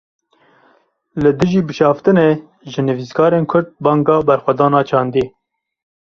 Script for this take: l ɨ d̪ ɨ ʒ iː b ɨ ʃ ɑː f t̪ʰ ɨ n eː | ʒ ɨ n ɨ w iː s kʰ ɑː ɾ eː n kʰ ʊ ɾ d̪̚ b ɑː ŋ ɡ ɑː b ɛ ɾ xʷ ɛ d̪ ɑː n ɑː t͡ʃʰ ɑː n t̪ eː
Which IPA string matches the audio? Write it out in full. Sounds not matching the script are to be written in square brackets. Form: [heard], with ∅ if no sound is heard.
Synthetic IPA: l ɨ d̪ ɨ ʒ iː b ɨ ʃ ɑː f [t̪] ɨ n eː | ʒ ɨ n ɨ [v] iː s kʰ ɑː ɾ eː n kʰ ʊ ɾ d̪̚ b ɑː ŋ ɡ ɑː b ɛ ɾ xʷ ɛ d̪ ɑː n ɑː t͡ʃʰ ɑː n [d̪] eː